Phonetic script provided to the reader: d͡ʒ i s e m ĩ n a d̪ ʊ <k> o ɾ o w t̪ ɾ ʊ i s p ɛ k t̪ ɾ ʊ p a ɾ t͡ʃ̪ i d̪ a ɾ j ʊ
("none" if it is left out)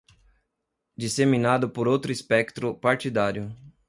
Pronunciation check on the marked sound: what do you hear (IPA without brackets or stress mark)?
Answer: p